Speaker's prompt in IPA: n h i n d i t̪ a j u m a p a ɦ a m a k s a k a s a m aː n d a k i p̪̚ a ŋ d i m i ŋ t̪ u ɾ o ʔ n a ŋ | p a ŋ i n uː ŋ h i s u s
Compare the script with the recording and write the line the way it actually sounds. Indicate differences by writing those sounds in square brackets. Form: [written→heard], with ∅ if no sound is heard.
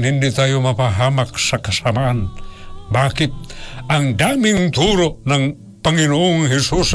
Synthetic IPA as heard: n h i n d i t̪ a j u m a p a ɦ a m a k s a k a s a m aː n [d→b] a k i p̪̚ a ŋ d [i→a] m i ŋ t̪ u ɾ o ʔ n a ŋ | p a ŋ i n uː ŋ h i s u s